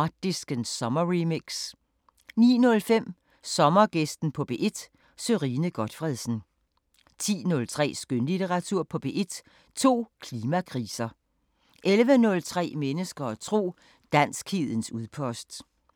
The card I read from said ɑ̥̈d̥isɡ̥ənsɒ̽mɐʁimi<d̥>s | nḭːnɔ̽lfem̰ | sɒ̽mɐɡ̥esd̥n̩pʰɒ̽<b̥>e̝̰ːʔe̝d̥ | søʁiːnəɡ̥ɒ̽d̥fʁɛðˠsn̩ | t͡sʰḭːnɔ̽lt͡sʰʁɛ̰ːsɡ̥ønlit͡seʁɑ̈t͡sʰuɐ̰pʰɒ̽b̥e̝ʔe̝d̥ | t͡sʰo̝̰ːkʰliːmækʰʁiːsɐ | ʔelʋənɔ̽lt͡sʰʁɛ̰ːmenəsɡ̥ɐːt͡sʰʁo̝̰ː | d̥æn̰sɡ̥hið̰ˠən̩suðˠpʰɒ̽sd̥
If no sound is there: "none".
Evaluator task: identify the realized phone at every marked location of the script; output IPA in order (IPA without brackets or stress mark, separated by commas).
ɡ̥, b̥